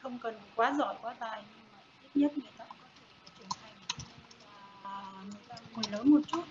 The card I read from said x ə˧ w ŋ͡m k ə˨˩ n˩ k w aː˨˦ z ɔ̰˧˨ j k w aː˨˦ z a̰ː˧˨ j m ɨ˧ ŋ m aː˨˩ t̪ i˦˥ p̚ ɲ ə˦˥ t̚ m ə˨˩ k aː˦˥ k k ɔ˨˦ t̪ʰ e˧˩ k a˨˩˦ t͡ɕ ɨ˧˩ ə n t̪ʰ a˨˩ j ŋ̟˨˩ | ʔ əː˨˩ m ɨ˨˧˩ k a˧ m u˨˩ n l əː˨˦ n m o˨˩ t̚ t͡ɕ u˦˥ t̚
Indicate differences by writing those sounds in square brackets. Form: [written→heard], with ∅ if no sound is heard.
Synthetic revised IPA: x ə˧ w ŋ͡m k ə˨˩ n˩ k w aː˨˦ z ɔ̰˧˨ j k w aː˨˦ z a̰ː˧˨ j [m→ɲ] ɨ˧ ŋ m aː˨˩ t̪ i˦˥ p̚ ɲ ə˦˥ t̚ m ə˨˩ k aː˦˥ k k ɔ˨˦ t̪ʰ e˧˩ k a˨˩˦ t͡ɕ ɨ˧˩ ə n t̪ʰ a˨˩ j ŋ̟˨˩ | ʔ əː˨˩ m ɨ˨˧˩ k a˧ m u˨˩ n l əː˨˦ n m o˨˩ t̚ t͡ɕ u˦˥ t̚